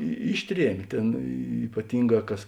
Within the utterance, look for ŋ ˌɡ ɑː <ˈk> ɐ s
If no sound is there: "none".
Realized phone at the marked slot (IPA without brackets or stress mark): k